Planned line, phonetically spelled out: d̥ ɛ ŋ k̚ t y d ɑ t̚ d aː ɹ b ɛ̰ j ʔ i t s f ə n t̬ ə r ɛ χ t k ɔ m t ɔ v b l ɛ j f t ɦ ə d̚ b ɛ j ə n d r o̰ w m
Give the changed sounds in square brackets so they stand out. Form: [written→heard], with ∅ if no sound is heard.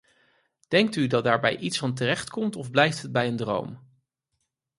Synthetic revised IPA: d̥ ɛ ŋ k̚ t y d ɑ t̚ d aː ɹ b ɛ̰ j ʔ i t s f [ə→ɑ] n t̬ ə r ɛ χ t k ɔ m t ɔ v b l ɛ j f t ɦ ə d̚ b ɛ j ə n d r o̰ w m